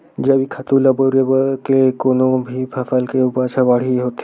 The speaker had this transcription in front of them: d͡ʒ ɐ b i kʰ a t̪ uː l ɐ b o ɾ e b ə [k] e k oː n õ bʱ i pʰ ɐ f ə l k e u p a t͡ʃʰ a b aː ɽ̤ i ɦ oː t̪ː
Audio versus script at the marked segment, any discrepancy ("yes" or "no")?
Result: no